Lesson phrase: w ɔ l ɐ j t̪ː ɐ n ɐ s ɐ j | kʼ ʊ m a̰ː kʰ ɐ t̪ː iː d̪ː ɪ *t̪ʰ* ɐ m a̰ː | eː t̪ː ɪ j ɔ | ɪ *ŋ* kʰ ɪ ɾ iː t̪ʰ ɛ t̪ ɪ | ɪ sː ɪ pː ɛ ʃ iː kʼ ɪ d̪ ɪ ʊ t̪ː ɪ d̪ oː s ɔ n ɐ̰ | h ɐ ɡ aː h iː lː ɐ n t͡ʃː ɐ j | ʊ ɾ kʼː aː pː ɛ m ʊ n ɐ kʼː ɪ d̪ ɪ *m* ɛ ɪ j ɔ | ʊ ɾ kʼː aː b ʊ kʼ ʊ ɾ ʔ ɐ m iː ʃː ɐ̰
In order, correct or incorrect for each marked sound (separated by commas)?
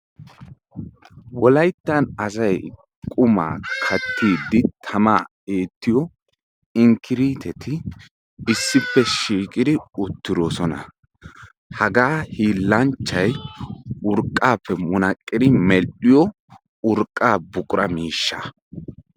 correct, correct, correct